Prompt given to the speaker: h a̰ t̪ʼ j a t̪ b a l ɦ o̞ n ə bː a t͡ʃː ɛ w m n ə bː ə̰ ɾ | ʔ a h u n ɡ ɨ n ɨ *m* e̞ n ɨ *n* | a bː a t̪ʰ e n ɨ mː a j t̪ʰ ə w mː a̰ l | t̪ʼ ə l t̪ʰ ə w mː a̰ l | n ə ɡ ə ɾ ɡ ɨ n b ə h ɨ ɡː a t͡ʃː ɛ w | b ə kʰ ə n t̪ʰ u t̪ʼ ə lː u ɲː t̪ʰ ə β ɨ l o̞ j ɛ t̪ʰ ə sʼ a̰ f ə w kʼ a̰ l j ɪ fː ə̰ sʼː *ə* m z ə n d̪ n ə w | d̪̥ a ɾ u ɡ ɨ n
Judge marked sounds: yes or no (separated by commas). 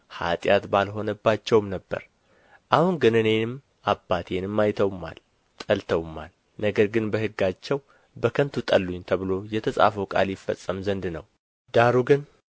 no, no, yes